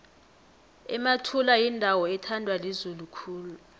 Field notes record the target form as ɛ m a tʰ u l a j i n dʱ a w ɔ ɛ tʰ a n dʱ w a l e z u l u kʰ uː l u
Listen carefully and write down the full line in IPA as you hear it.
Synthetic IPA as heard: ɛ m a tʰ u l a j i n dʱ a w ɔ ɛ tʰ a n dʱ w a l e z u l u kʰ uː l u